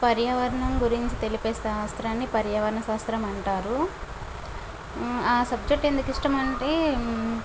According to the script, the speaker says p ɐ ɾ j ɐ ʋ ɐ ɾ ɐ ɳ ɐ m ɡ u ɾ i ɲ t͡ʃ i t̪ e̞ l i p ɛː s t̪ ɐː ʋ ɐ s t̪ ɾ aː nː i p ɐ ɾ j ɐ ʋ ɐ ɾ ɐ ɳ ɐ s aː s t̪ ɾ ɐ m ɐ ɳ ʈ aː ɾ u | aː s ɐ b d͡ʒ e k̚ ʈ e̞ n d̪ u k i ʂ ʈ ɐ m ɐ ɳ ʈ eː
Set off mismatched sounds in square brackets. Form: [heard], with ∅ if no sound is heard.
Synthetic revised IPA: p ɐ ɾ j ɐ ʋ ɐ ɾ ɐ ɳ ɐ m ɡ u ɾ i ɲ t͡ʃ i t̪ e̞ l i p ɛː s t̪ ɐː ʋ ɐ s t̪ ɾ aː nː i p ɐ ɾ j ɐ ʋ ɐ ɾ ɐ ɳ ɐ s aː s t̪ ɾ ɐ m ɐ ɳ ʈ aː ɾ u | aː s ɐ b d͡ʒ e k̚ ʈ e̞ n d̪ u k i ʂ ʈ ɐ m ɐ ɳ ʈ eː